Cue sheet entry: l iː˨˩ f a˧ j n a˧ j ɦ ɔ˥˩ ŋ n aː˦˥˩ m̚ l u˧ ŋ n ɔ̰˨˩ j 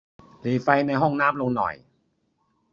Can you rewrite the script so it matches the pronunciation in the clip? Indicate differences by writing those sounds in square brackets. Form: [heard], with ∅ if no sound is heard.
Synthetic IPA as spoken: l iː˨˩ f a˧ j n a˧ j ɦ ɔ˥˩ ŋ n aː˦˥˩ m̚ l [o˧] ŋ n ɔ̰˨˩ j